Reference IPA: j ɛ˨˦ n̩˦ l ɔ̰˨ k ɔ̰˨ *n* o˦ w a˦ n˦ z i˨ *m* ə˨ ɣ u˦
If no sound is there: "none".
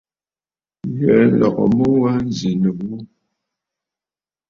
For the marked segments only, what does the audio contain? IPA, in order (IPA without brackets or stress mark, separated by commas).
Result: m, n